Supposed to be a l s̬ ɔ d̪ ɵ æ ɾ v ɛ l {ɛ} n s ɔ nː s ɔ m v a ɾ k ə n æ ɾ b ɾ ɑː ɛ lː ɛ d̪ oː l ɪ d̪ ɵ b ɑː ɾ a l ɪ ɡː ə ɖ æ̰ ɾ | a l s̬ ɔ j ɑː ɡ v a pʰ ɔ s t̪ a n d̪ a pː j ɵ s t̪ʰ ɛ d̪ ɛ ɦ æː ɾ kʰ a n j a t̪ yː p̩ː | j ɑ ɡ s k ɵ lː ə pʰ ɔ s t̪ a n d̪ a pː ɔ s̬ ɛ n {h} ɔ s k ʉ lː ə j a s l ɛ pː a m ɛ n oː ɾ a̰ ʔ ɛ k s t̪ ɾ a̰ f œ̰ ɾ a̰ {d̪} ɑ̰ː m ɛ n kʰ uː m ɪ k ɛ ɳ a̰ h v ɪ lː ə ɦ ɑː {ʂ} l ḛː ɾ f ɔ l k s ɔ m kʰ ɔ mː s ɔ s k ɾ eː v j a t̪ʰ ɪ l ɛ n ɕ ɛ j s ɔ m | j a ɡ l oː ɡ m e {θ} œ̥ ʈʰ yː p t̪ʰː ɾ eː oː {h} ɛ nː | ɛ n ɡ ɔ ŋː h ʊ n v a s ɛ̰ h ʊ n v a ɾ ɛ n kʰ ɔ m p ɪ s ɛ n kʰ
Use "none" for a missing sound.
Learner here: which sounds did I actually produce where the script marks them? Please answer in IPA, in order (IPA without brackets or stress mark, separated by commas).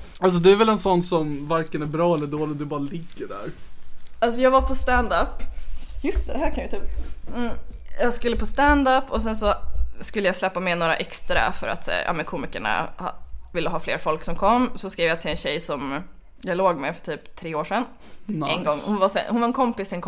ɛ, s, t̪, f, f, ʂ